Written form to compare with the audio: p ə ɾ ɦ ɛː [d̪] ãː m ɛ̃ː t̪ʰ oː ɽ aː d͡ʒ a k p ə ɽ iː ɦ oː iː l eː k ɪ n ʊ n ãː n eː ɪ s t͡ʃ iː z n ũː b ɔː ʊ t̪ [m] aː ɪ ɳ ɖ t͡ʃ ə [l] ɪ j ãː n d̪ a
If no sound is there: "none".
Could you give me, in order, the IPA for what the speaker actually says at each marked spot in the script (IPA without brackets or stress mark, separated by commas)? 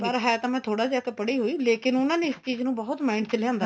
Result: t̪, m, l